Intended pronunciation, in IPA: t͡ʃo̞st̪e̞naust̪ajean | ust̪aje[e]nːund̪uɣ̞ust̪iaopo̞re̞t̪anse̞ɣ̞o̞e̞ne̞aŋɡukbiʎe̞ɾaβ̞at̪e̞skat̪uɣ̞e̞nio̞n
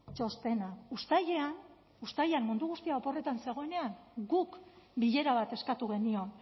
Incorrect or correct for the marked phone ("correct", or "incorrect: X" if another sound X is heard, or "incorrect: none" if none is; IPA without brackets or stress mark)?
incorrect: a